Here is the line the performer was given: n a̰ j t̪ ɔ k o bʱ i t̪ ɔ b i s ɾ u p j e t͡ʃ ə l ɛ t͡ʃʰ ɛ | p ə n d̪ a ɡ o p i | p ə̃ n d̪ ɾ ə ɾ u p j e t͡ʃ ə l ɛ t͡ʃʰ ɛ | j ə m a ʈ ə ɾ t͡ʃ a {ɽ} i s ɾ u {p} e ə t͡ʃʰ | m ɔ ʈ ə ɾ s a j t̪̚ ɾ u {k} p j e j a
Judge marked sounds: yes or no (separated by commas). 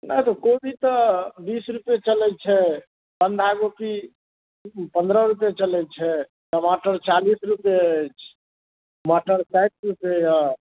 no, yes, no